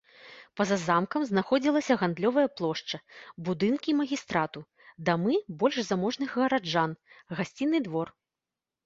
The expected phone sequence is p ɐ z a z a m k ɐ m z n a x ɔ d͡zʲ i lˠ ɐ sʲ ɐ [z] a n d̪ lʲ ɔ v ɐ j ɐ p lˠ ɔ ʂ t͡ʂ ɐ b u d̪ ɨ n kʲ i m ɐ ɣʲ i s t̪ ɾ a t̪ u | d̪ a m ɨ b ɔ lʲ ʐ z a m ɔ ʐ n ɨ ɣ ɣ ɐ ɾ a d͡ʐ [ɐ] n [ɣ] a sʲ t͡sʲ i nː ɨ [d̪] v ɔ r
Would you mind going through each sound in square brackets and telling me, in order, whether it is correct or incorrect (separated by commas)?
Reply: incorrect, incorrect, correct, correct